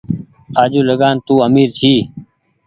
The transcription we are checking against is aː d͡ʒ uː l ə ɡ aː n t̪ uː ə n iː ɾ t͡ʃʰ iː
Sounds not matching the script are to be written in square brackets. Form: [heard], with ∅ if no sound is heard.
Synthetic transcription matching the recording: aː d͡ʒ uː l ə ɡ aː n t̪ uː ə [m] iː ɾ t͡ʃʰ iː